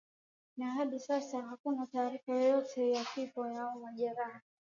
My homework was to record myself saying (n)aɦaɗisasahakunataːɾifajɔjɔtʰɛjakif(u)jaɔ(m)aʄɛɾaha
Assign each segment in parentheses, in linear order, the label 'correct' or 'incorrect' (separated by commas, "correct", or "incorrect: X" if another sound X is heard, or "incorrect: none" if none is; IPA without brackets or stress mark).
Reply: correct, incorrect: ɔ, correct